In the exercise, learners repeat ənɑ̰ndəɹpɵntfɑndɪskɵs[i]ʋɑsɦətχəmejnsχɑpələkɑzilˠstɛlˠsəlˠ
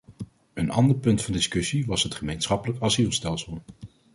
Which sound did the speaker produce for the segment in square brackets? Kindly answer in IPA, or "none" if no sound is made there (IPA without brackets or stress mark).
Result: i